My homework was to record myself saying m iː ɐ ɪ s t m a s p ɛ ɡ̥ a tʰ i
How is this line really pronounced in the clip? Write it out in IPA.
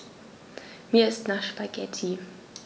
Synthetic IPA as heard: m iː ɐ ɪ s t n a ʃ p a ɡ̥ ɛ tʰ i